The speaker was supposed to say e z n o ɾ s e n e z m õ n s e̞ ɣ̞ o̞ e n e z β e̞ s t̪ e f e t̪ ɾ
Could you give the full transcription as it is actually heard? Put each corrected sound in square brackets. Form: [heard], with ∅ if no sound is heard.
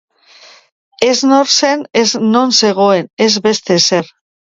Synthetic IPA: e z n o ɾ s e n e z [n] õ n s e̞ ɣ̞ o̞ e n e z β e̞ s t̪ e [s] e [∅] ɾ